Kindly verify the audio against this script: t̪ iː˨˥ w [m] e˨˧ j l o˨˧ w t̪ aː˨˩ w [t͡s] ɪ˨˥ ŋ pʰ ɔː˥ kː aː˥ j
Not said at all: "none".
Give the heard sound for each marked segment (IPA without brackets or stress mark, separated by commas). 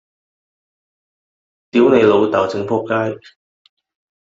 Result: n, t͡s